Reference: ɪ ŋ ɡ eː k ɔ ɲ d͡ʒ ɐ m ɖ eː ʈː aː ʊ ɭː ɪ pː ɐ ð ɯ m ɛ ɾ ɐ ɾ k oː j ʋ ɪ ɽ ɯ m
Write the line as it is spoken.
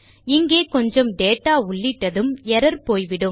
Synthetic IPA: ɪ ŋ ɡ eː k ɔ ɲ d͡ʒ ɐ m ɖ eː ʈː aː ʊ ɭː ɪ ʈː ɐ ð ɯ m ɛ ɾ ɐ ɾ p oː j ʋ ɪ ɽ ɯ m

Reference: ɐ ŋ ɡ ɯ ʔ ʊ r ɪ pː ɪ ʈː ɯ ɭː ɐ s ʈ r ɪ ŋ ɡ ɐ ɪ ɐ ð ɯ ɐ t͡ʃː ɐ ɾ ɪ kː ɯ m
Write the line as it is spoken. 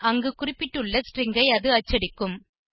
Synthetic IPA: ɐ ŋ ɡ ɯ k ʊ r ɪ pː ɪ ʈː ɯ ɭː ɐ s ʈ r ɪ ŋ ɡ ɐ ɪ ɐ ð ɯ ɐ t͡ʃː ɐ ɽ ɪ kː ɯ m

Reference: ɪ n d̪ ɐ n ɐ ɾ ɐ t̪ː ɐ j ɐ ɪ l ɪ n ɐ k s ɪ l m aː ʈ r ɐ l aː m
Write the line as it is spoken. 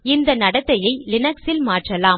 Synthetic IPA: ɪ n d̪ ɐ n ɐ ɽ ɐ t̪ː ɐ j ɐ ɪ l ɪ n ɐ k s ɪ l m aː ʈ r ɐ l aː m

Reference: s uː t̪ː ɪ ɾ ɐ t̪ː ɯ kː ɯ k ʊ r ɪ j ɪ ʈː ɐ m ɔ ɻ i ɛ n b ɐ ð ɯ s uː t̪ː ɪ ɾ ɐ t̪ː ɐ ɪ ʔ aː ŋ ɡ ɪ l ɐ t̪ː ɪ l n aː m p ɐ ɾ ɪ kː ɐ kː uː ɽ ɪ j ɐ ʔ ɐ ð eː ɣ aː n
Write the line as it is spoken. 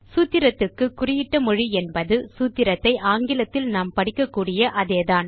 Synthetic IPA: s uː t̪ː ɪ ɾ ɐ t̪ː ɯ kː ɯ k ʊ r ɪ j ɪ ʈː ɐ m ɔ ɻ i ɛ n b ɐ ð ɯ s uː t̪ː ɪ ɾ ɐ t̪ː ɐ ɪ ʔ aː ŋ ɡ ɪ l ɐ t̪ː ɪ l n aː m p ɐ ɽ ɪ kː ɐ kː uː ɽ ɪ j ɐ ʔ ɐ ð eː ð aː n

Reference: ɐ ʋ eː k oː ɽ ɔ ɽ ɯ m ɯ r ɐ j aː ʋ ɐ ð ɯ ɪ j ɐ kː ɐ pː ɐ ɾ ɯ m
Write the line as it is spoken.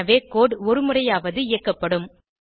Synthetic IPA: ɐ ʋ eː k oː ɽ ɔ ɾ ɯ m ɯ r ɐ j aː ʋ ɐ ð ɯ ɪ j ɐ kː ɐ pː ɐ ɽ ɯ m

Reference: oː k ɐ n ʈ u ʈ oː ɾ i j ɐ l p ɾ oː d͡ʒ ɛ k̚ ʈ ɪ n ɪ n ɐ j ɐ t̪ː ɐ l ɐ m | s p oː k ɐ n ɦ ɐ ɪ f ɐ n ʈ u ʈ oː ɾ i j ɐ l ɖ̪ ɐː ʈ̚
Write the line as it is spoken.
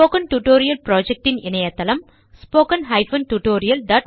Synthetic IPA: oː k ɐ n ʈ u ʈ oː ɾ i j ɐ l p ɾ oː d͡ʒ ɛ k̚ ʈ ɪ n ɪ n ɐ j ɐ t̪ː ɐ l ɐ m | s p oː k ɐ n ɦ ɐ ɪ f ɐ n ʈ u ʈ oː ɾ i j ɐ l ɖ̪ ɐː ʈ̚

